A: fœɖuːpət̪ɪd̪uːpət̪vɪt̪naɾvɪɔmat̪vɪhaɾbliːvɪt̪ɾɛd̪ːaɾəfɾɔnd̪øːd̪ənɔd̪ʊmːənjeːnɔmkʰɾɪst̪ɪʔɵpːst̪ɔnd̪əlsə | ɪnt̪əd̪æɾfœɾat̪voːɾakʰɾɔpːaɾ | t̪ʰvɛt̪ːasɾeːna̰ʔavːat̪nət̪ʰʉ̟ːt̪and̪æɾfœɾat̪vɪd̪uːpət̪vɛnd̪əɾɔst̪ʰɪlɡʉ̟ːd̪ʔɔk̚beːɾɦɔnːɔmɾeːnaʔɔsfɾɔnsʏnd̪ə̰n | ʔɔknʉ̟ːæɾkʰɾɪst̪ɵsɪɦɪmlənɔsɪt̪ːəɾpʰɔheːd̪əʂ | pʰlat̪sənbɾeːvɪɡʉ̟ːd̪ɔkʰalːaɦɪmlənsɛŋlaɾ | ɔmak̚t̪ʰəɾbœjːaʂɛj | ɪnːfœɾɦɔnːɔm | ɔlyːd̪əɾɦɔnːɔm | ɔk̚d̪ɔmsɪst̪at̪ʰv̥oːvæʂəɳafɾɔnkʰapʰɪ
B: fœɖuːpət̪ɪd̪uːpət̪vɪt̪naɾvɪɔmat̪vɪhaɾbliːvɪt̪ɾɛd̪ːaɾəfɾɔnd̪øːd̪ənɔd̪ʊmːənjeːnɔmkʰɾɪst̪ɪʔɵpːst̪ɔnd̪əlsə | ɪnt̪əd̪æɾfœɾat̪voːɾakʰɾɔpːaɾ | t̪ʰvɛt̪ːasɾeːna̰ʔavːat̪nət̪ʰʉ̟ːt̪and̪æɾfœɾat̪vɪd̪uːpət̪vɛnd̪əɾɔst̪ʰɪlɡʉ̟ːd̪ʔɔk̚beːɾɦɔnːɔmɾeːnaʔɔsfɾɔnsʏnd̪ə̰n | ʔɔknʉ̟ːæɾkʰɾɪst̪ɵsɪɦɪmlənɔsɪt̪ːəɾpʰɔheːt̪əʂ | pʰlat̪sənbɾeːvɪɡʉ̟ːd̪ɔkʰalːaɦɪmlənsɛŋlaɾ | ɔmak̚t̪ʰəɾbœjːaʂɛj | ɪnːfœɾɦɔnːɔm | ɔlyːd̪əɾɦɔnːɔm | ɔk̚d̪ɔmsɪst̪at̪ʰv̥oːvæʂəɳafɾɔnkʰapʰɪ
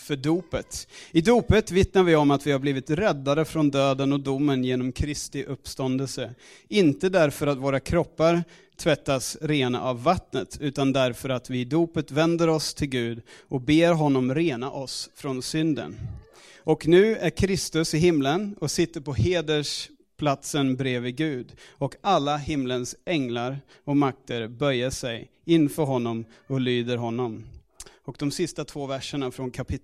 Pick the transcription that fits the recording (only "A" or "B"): A